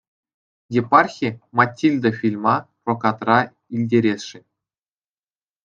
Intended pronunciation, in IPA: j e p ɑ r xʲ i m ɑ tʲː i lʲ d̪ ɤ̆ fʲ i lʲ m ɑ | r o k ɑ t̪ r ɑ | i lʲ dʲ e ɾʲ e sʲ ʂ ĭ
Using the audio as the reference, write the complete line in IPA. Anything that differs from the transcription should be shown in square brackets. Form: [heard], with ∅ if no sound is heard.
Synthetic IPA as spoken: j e p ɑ r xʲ i m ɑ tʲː i lʲ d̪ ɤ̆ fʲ i lʲ m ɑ | r o k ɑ t̪ r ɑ | i lʲ dʲ e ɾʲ e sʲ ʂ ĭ